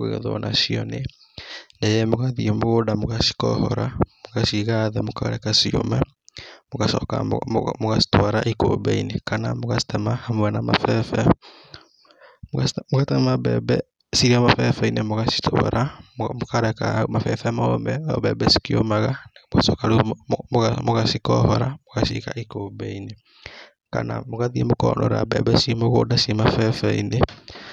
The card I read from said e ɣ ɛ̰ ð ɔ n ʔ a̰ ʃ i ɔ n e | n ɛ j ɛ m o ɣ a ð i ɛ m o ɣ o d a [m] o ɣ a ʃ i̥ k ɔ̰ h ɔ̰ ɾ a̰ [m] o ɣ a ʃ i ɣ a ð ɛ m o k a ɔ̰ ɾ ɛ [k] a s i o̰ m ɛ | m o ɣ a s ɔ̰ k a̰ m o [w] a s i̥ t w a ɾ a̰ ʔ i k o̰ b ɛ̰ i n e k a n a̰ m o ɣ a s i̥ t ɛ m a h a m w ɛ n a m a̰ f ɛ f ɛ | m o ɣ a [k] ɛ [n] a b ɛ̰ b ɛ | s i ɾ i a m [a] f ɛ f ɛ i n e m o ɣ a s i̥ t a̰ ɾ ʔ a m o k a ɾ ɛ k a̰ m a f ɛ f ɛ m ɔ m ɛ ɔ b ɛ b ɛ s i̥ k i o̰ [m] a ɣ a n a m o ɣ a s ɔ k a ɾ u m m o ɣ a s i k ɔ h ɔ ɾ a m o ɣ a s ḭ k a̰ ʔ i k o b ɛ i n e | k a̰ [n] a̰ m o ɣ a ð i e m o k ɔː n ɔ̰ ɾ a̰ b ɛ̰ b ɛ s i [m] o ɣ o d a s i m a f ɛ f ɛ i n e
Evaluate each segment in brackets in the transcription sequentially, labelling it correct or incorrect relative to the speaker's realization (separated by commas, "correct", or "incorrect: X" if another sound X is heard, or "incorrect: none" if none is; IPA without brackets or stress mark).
correct, correct, correct, incorrect: ɣ, incorrect: t, incorrect: m, correct, correct, correct, correct